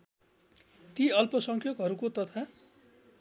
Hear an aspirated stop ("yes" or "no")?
yes